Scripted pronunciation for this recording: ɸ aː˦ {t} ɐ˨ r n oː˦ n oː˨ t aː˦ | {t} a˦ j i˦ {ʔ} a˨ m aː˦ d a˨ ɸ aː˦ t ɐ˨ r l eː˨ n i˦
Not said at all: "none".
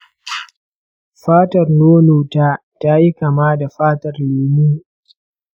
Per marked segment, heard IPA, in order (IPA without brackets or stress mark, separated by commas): t, t, k